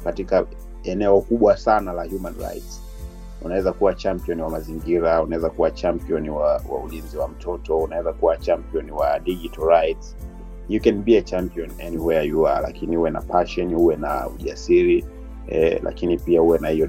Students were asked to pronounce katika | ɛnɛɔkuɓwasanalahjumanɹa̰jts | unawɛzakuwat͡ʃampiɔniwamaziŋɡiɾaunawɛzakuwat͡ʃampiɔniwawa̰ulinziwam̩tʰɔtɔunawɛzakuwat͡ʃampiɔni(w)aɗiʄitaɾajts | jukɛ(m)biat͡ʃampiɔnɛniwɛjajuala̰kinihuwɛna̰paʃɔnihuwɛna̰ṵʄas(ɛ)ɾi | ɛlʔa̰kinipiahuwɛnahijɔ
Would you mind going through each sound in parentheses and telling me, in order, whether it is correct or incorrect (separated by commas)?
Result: correct, incorrect, incorrect